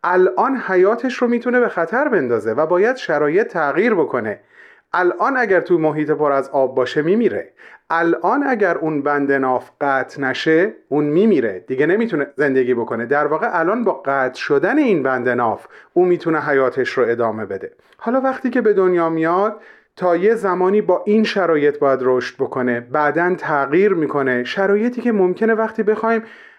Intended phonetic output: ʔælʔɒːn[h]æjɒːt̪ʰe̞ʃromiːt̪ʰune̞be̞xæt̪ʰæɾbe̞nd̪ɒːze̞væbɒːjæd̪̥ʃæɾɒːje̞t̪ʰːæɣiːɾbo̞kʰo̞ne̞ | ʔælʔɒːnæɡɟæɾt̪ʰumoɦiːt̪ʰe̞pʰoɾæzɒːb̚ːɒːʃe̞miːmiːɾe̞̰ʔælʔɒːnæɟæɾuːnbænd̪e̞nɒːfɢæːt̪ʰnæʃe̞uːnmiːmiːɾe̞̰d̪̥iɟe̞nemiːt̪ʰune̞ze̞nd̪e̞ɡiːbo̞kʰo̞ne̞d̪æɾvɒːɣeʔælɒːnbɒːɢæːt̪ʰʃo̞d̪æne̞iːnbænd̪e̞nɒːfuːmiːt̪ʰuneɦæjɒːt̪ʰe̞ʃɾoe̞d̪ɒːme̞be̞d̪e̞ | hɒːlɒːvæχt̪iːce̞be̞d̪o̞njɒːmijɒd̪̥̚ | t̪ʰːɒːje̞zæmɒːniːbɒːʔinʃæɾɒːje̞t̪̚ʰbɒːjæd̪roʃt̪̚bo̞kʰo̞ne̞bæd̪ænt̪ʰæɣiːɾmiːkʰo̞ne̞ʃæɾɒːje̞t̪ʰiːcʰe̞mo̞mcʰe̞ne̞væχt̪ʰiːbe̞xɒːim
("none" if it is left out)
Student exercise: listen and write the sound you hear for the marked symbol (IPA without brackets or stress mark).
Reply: h